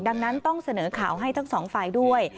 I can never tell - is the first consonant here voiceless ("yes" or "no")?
no